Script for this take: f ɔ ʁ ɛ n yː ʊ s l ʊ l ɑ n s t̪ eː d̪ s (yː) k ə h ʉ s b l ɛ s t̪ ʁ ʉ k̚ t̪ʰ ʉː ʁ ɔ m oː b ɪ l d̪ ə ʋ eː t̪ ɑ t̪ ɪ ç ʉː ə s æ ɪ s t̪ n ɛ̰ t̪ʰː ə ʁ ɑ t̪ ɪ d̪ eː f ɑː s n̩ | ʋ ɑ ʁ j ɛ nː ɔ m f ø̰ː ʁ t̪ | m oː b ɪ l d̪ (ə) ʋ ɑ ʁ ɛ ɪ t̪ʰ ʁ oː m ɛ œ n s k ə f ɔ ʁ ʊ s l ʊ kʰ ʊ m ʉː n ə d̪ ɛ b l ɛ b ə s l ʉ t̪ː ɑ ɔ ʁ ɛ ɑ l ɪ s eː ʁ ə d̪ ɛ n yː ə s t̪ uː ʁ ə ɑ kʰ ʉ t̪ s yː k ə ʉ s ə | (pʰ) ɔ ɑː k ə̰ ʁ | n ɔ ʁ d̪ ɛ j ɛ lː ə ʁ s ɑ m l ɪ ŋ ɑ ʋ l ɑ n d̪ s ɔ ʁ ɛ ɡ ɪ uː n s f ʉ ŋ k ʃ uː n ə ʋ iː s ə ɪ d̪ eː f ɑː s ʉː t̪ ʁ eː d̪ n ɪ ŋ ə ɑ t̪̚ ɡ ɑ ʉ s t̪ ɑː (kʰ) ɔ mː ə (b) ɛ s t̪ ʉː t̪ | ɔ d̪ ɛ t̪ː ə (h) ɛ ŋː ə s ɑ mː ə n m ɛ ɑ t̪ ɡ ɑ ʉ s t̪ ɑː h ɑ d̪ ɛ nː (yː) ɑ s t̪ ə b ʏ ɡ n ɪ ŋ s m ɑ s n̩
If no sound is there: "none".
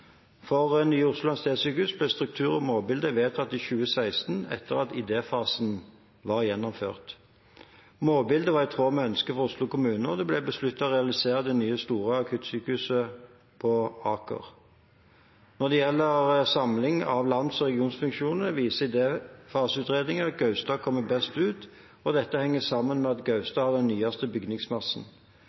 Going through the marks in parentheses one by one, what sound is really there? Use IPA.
yː, ə, pʰ, kʰ, b, h, yː

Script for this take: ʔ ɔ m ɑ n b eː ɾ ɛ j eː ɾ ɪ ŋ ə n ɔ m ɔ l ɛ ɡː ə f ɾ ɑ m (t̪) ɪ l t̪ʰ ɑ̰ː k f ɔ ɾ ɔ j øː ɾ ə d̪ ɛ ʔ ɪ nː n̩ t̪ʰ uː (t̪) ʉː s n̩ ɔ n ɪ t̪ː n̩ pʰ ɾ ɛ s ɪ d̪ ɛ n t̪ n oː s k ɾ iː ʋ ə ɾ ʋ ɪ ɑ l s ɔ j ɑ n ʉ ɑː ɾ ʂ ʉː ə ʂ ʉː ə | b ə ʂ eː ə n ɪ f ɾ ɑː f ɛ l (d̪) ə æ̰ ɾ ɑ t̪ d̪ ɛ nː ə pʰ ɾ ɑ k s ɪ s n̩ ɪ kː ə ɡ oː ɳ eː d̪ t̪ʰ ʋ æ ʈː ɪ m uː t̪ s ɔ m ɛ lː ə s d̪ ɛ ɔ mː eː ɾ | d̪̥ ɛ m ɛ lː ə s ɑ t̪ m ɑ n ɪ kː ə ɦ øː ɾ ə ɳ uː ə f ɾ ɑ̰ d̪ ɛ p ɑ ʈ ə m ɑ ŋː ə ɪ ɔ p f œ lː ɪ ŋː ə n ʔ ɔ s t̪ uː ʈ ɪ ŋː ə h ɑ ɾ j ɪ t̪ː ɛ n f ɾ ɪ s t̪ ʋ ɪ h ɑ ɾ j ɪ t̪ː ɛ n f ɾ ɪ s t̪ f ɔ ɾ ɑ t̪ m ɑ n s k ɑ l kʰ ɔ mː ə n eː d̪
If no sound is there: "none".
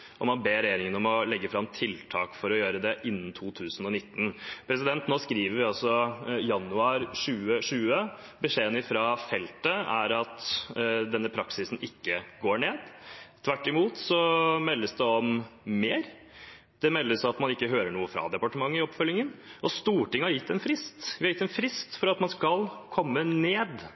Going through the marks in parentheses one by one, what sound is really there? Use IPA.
t̪ʰ, t̪ʰ, t̪

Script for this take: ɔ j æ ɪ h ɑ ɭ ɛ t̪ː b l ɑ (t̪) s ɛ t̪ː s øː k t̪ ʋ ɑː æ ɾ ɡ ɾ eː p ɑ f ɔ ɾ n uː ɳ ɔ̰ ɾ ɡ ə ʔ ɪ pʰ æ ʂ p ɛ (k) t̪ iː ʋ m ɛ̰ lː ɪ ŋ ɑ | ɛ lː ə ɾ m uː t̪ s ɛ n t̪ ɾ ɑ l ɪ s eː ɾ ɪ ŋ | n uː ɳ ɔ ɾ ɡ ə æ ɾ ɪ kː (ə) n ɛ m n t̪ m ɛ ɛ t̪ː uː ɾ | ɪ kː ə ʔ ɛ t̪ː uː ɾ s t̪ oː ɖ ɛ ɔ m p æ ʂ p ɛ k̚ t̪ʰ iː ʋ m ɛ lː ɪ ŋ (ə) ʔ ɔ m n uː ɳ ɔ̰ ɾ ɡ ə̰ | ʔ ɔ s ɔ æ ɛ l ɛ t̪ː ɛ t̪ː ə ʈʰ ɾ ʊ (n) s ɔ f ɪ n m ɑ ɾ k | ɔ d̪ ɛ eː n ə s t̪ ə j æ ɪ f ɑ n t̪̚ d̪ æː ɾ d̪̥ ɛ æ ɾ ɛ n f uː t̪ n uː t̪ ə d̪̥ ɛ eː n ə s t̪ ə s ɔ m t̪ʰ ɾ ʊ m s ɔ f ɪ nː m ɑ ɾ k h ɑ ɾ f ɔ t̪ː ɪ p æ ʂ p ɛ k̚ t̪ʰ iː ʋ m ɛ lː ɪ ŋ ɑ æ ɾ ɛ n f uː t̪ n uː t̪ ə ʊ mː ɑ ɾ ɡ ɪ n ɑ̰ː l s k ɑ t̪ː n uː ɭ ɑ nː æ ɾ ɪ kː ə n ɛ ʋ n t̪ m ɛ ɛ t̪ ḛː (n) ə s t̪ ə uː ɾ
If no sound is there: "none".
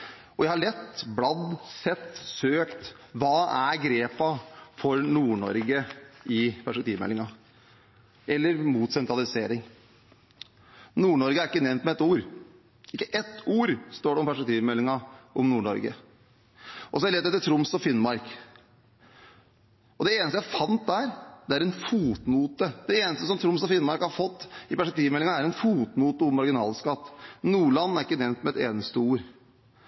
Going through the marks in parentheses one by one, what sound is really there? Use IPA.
d̪, k, ə, ɑ, m, n

